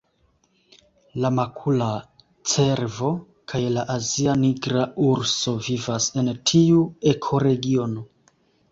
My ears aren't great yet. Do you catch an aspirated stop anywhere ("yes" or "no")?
yes